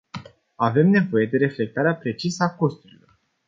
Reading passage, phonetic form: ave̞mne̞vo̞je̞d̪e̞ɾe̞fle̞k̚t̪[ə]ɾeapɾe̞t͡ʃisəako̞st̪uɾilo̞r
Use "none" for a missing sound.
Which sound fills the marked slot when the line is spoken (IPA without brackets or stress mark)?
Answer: a